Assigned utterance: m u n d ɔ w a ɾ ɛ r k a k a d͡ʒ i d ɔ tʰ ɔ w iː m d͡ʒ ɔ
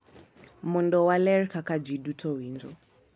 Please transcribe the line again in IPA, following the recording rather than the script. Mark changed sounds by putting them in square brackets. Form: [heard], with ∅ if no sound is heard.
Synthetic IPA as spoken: m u n d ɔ w a [l] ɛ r k a k a d͡ʒ i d [u] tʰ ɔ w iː [n] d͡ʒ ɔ